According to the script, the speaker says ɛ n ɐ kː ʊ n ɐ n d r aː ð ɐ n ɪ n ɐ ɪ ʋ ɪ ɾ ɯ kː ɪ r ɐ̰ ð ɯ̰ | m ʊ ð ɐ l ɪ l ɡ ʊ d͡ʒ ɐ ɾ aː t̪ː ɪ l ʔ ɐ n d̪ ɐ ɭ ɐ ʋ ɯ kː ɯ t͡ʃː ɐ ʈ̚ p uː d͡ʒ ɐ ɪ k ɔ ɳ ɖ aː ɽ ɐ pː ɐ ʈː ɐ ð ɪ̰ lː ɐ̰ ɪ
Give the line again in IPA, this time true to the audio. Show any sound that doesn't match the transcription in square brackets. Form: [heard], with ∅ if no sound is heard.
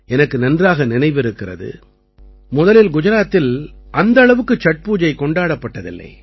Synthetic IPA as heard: ɛ n ɐ kː [ɯ] n ɐ n d r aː [ɣ] ɐ n ɪ n ɐ ɪ ʋ ɪ ɾ ɯ kː ɪ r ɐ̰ ð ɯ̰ | m ʊ ð ɐ l ɪ l ɡ ʊ d͡ʒ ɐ ɾ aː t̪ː ɪ l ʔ ɐ n d̪ ɐ ɭ ɐ ʋ ɯ kː ɯ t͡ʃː ɐ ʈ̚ p uː d͡ʒ ɐ ɪ k ɔ ɳ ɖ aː ɽ ɐ pː ɐ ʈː ɐ ð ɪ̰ lː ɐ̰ ɪ